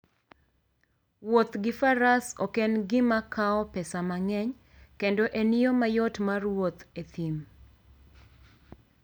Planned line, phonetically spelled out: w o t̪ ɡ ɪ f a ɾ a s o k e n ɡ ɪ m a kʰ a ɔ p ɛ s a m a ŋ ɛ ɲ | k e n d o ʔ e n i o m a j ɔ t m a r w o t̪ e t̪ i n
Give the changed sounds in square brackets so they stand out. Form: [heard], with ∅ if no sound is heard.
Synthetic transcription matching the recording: w o t̪ ɡ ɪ f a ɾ a s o k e n ɡ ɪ m a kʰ a ɔ p ɛ s a m a ŋ ɛ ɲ | k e n d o ʔ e n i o m a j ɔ t m a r w o t̪ e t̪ i [m]